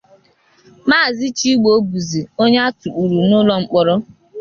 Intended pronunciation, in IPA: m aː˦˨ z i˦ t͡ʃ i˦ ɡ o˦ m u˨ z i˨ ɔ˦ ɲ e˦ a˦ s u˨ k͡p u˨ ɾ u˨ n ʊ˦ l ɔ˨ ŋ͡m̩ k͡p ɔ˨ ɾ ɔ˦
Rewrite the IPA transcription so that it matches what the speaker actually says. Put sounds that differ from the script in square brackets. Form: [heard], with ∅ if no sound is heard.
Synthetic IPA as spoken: m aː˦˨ z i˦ t͡ʃ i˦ [ɡ͡b] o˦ [b] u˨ z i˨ [o˦] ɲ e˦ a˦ [t] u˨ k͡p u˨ ɾ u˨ n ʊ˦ l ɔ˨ ŋ͡m̩ k͡p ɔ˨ ɾ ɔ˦